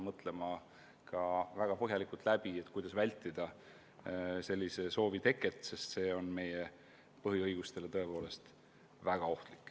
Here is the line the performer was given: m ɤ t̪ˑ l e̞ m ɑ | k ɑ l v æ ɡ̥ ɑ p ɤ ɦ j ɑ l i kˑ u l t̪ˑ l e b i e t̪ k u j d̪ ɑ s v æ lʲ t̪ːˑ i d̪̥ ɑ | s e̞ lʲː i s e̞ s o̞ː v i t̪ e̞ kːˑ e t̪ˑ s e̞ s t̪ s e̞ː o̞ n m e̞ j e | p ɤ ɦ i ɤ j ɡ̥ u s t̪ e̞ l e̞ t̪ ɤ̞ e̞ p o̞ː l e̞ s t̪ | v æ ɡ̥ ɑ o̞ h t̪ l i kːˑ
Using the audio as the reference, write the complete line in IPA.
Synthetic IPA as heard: m ɤ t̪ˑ l e̞ m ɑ | k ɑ v æ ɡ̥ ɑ p ɤ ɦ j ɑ l i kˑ u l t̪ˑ l æ b i e t̪ k u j d̪ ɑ s v æ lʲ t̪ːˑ i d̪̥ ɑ | s e̞ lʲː i s e̞ s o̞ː v i t̪ e̞ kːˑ e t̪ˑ s e̞ s t̪ s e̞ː o̞ n m e̞ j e | p ɤ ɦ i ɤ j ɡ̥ u s t̪ e̞ l e̞ t̪ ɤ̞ e̞ p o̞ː l e̞ s t̪ | v æ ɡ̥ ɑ o̞ h t̪ l i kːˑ

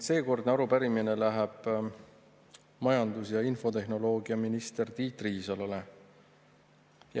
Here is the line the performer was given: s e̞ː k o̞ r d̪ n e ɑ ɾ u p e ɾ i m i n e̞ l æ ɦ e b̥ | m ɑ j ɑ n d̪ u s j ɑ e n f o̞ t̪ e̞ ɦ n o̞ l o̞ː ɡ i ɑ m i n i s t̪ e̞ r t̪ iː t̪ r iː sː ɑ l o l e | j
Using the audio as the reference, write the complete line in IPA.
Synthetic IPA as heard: s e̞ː k o̞ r d̪ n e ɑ ɾ u p æ ɾ i m i n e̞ l æ ɦ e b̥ | m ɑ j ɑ n d̪ u s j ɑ i n f o̞ t̪ e̞ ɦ n o̞ l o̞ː ɡ i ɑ m i n i s t̪ e̞ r t̪ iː t̪ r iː s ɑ l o l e | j

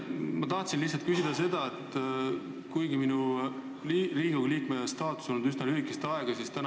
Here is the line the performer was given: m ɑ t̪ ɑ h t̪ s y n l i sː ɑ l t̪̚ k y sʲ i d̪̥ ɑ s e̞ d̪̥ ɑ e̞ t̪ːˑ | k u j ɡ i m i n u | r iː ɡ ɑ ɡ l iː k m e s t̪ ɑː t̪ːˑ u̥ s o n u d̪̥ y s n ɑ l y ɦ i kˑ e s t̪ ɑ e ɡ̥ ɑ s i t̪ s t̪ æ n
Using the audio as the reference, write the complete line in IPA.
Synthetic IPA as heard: m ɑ t̪ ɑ h t̪ s i n l i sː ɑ l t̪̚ k y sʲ i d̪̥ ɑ s e̞ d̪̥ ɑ e̞ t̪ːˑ | k u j ɡ i m i n u | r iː ɡ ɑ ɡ l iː k m e s t̪ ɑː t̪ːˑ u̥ s o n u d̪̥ y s n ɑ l y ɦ i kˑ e s t̪ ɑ e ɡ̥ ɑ s i s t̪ æ n

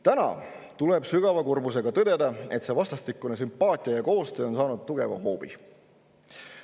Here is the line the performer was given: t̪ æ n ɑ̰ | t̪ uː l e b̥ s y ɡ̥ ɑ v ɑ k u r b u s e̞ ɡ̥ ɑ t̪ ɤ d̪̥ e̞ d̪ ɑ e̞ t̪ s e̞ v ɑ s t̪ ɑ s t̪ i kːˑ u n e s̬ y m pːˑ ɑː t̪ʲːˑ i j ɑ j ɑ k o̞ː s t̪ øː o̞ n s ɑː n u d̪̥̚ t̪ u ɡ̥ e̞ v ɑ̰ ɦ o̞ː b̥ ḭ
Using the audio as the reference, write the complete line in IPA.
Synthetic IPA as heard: t̪ æ n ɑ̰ | t̪ u l e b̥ s y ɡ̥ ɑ v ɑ k u r b u s e̞ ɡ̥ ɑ t̪ ɤ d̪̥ e̞ d̪ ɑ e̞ t̪ s e̞ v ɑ s t̪ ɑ s t̪ i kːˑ u n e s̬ y m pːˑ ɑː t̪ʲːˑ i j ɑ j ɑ k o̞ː s t̪ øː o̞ n s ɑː n u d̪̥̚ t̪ u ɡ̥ e̞ v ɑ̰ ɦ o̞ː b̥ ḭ

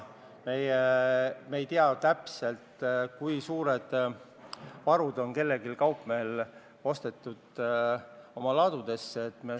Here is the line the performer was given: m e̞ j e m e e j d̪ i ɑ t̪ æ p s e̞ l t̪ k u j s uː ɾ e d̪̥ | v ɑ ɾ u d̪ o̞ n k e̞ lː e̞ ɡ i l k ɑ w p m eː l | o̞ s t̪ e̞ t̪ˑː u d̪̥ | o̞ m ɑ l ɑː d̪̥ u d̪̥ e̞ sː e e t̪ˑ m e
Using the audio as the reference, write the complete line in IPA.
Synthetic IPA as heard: m e̞ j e m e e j t̪ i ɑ t̪ æ p s e̞ l t̪ k u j s uː ɾ e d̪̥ | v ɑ ɾ u d̪ o̞ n k e̞ lː e̞ ɡ i l k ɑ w p m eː l | o̞ s t̪ e̞ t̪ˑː u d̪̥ | o̞ m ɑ l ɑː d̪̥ u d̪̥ e̞ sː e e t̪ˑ m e

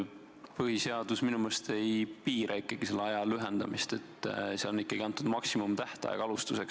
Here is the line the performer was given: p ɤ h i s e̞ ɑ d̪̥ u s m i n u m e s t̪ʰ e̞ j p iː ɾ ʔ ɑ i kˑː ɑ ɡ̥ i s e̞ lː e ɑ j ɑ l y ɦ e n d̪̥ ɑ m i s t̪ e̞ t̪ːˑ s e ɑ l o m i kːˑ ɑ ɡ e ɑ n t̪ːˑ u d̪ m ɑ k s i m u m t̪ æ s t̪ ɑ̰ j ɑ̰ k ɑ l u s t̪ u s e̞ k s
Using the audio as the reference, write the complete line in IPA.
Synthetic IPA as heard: p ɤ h i s e̞ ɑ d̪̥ u s m i n u m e s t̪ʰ e̞ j p iː ɾ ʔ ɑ i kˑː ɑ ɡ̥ i s e̞ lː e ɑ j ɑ l y ɦ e n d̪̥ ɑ m i s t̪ e̞ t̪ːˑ s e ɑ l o n i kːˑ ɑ ɡ i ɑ n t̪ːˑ u d̪ m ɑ k s i m u m t̪ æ h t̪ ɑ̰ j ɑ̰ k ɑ l u s t̪ u s e̞ k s

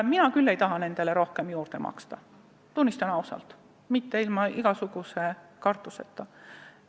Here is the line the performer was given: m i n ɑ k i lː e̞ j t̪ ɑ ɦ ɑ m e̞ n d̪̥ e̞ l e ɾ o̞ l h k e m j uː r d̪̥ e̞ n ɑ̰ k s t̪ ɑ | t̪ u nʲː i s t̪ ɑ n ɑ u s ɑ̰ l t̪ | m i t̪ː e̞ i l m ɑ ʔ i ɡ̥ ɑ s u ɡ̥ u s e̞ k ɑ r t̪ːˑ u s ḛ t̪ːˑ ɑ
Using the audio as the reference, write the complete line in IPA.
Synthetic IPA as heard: m i n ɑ k y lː e̞ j t̪ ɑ ɦ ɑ n e̞ n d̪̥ e̞ l e ɾ o̞ h k e m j uː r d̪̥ e̞ m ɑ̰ k s t̪ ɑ | t̪ u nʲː i s t̪ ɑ n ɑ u s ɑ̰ l t̪ | m i t̪ː e̞ i l m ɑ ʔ i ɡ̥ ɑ s u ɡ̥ u s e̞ k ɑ r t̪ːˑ u s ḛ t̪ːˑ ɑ

